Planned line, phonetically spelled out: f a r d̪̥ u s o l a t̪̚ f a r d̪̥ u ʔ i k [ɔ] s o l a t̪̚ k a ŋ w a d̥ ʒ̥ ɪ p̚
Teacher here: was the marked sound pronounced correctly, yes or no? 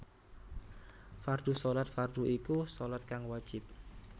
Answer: no